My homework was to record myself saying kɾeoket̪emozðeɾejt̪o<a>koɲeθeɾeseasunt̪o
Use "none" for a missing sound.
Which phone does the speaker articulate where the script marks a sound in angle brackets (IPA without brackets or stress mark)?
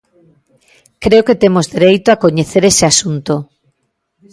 a